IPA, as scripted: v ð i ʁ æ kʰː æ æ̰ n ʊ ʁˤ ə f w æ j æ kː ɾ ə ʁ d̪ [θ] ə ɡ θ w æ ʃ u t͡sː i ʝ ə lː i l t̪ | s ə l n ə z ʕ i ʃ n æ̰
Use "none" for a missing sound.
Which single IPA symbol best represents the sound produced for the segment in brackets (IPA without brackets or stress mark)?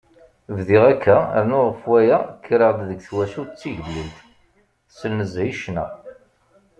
ð